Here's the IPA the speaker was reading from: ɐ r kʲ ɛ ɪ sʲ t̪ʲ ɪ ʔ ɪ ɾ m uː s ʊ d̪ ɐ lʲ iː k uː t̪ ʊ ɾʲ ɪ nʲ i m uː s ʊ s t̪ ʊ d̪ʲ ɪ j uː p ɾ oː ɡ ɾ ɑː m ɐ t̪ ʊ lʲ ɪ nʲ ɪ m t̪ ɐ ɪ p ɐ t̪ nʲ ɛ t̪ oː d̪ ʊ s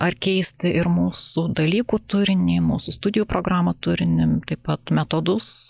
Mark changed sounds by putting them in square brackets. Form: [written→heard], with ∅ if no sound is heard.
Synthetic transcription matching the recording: ɐ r kʲ ɛ ɪ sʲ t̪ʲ ɪ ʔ ɪ ɾ m uː s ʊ d̪ ɐ lʲ iː k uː t̪ ʊ ɾʲ ɪ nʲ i m uː s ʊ s t̪ ʊ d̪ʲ ɪ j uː p ɾ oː ɡ ɾ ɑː m ɐ t̪ ʊ [lʲ→ɾʲ] ɪ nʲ ɪ m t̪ ɐ ɪ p ɐ t̪ [nʲ→mʲ] ɛ t̪ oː d̪ ʊ s